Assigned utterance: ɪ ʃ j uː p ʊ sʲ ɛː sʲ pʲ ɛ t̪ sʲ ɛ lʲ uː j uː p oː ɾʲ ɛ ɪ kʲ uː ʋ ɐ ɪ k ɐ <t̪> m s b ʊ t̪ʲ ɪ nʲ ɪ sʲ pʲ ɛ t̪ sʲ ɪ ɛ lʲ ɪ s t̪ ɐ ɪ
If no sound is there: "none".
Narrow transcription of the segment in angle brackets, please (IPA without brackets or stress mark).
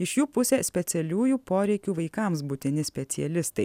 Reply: none